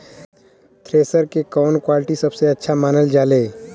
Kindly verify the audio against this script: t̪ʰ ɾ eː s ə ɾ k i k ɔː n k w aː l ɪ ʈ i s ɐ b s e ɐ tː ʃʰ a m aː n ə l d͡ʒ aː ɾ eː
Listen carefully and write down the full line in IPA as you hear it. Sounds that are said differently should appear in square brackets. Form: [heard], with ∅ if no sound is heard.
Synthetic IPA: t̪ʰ ɾ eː s ə ɾ k [e] k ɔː n k w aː l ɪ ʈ i s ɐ b s e ɐ tː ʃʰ a m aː n ə l d͡ʒ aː [l] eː

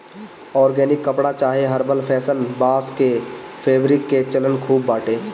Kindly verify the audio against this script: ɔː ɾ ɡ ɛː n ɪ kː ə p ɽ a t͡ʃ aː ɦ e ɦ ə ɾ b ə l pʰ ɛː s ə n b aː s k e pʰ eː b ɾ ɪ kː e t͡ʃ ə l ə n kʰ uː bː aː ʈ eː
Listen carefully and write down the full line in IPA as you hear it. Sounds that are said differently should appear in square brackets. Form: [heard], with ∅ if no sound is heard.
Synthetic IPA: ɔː ɾ ɡ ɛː n ɪ kː ə p ɽ a t͡ʃ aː ɦ e ɦ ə ɾ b ə l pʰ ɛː s ə n b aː s k e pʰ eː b ɾ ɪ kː e t͡ʃ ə l ə n kʰ uː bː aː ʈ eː

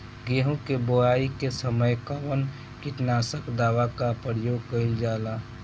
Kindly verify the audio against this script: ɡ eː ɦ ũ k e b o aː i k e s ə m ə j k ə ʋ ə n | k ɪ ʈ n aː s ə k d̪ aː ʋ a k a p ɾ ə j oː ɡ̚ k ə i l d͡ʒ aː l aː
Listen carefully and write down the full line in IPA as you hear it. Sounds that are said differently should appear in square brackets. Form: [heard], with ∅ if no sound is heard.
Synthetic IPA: ɡ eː ɦ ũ k e b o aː i k e s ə m ə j k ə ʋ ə n | k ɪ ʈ n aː s ə k d̪ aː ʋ a k a p ɾ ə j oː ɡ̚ k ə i l d͡ʒ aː l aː

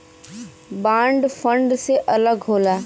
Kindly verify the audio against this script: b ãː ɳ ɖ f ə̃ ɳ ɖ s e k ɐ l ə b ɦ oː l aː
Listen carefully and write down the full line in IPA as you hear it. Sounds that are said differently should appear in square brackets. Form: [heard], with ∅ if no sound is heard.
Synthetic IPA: b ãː ɳ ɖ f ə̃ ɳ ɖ s e [ʔ] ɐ l ə [ɡ] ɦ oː l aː

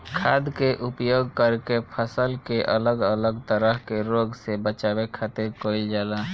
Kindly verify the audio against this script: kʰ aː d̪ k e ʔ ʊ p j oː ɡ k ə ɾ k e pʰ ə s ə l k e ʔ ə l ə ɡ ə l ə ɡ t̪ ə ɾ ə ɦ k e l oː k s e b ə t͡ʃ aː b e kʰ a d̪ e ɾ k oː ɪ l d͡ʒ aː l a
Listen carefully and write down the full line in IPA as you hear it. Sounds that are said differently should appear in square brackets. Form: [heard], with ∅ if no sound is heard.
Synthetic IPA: kʰ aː d̪ k e ʔ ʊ p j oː ɡ k ə ɾ k e pʰ ə s ə l k e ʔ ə l ə ɡ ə l ə ɡ t̪ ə ɾ ə ɦ k e [ɾ] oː [ɡ] s e b ə t͡ʃ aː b e kʰ a [t̪] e ɾ k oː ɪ l d͡ʒ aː l a

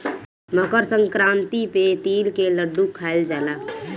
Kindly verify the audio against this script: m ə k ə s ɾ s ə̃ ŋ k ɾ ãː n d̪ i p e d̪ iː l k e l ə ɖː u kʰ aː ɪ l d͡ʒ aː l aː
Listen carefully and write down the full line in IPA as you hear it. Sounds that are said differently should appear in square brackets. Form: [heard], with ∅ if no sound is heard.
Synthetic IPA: m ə k ə [∅] ɾ s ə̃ ŋ k ɾ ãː n [t̪] i p e [t̪] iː l k e l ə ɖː u kʰ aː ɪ l d͡ʒ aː l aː

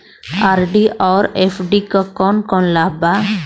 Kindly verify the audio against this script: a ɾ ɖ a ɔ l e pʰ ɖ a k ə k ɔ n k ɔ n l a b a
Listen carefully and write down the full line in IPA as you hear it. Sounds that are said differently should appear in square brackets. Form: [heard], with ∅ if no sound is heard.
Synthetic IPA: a ɾ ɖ [i] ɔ [ɾ] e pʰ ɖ [i] k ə k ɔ n k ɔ n l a b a

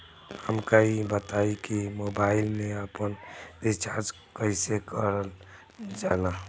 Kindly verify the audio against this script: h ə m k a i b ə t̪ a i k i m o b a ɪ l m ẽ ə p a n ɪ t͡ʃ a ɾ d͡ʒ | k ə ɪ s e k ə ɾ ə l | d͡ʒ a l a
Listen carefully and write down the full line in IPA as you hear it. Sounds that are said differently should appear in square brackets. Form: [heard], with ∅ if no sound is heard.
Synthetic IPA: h ə m k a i b ə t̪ a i k i m o b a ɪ l m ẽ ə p [ə] n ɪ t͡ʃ a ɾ d͡ʒ | k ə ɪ s e k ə ɾ ə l | d͡ʒ a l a

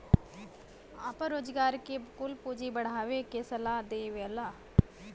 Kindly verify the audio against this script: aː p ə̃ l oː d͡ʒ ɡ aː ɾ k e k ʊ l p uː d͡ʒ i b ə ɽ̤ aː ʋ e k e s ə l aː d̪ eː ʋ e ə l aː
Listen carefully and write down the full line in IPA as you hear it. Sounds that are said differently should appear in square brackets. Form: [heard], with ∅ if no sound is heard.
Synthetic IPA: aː p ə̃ [ɾ] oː d͡ʒ ɡ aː ɾ k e k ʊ l p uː d͡ʒ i b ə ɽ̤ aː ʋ e k e s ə l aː d̪ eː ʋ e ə l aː

